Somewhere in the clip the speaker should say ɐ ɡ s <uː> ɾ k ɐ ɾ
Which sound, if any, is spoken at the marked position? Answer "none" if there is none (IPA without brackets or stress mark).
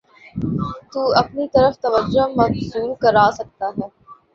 uː